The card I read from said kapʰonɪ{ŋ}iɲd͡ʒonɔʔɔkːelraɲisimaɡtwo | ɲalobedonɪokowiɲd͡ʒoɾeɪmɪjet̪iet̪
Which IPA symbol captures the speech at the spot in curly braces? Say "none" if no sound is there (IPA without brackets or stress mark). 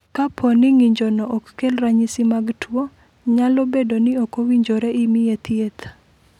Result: ŋ